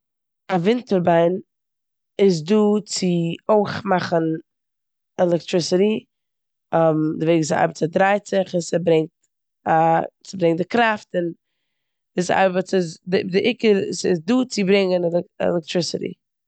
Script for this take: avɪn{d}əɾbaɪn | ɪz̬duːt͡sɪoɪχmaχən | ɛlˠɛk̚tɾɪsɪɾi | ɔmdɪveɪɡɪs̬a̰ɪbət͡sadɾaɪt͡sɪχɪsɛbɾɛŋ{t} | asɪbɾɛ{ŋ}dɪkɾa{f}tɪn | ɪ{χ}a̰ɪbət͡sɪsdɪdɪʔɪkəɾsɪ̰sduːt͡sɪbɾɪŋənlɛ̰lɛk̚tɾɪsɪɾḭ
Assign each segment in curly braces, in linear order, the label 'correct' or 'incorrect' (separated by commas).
incorrect, correct, correct, correct, incorrect